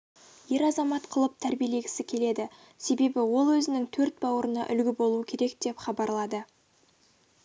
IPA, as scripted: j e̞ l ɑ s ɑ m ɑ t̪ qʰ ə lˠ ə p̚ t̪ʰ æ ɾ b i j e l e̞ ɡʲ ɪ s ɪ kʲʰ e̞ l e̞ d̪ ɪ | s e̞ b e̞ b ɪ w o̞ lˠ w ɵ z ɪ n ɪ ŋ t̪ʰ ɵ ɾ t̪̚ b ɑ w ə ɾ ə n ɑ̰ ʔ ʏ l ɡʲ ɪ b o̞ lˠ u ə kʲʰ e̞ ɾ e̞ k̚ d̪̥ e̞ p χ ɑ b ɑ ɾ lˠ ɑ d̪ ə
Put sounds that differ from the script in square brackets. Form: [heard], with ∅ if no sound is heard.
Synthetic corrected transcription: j e̞ [ɾ] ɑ [z] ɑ m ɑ t̪ qʰ ə lˠ ə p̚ t̪ʰ æ ɾ b i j e l e̞ ɡʲ ɪ s ɪ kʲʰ e̞ l e̞ d̪ ɪ | s e̞ b e̞ b ɪ w o̞ lˠ w ɵ z ɪ n ɪ ŋ t̪ʰ ɵ ɾ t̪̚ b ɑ w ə ɾ ə n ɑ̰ ʔ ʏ l ɡʲ ɪ b o̞ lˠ u ə kʲʰ e̞ ɾ e̞ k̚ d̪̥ e̞ p χ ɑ b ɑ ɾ lˠ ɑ d̪ ə